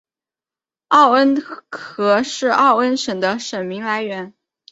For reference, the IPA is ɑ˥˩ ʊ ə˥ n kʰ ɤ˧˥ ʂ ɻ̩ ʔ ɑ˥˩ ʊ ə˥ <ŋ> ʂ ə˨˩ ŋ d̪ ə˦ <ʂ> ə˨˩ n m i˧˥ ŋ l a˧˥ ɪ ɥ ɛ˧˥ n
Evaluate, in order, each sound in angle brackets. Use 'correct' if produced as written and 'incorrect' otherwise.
incorrect: n, correct

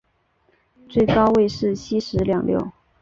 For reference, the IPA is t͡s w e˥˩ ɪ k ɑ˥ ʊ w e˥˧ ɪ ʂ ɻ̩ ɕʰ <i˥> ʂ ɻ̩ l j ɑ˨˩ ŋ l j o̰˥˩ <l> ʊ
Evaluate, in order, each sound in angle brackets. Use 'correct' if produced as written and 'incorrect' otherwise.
correct, incorrect: none

